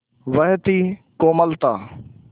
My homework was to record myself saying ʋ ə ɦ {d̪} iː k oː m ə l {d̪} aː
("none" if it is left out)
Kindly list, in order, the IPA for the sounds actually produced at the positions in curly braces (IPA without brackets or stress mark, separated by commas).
t̪, t̪